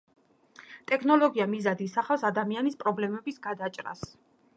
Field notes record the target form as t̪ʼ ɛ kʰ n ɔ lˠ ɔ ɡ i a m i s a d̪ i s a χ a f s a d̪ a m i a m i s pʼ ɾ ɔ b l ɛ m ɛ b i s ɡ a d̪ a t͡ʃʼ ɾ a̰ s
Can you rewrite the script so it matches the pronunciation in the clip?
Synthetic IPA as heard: t̪ʼ ɛ kʰ n ɔ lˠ ɔ ɡ i a m i z a d̪ i s a χ a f s a d̪ a m i a n i s pʼ ɾ ɔ b l ɛ m ɛ b i s ɡ a d̪ a t͡ʃʼ ɾ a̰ s